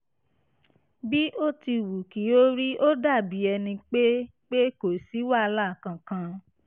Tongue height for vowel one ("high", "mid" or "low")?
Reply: high